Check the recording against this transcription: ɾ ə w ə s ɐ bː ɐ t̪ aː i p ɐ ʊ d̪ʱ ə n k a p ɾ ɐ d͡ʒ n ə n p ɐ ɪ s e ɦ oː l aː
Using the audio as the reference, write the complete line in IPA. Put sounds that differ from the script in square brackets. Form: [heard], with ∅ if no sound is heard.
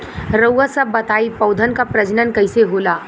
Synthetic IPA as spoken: ɾ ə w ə s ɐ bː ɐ t̪ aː i p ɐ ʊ d̪ʱ ə n k a p ɾ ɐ d͡ʒ n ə n [k] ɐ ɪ s e ɦ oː l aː

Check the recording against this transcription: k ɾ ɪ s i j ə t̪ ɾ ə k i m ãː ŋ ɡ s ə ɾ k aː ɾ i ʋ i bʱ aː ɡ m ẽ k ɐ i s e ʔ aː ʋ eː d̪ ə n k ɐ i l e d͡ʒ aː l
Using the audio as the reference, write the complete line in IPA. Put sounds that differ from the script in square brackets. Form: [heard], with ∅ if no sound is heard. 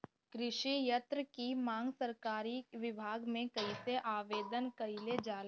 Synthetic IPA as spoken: k ɾ ɪ [ʃ] i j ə t̪ ɾ ə k i m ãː ŋ ɡ s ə ɾ k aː ɾ i ʋ [ɪ] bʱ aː ɡ m ẽ k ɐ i s e ʔ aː ʋ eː d̪ ə n k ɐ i l e d͡ʒ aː l

